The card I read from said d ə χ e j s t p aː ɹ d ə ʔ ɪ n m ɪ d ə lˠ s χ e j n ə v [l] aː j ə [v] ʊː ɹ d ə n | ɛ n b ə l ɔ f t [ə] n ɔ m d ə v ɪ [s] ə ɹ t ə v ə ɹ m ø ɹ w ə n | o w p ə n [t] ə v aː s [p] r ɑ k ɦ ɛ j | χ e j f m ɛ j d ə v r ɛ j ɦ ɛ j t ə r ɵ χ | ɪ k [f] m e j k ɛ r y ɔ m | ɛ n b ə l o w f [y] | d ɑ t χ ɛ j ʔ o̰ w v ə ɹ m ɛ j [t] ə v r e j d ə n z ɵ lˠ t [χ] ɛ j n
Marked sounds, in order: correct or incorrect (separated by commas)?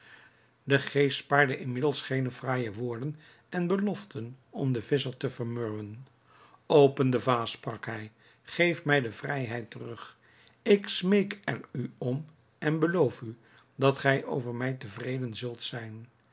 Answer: incorrect, incorrect, correct, correct, incorrect, correct, incorrect, correct, correct, incorrect